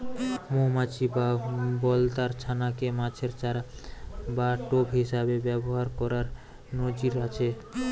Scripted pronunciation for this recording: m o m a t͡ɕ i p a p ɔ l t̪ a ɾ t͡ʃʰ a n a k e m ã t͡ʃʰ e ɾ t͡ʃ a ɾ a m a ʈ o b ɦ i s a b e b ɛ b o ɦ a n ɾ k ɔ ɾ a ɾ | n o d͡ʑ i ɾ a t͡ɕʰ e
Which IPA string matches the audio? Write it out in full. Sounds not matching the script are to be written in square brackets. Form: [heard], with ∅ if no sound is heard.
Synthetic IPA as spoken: m o m a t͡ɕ i [b] a [b] ɔ l t̪ a ɾ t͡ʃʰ a n a k e m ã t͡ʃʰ e ɾ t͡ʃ a ɾ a [b] a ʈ o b ɦ i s a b e b ɛ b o ɦ a [∅] ɾ k ɔ ɾ a ɾ | n o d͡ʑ i ɾ a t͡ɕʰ e